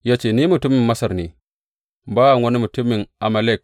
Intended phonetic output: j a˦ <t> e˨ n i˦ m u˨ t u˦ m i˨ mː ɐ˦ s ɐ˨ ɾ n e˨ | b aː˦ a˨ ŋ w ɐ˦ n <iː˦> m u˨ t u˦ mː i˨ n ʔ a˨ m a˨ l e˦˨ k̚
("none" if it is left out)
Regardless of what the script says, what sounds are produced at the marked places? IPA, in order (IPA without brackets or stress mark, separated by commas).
t͡ʃ, i˦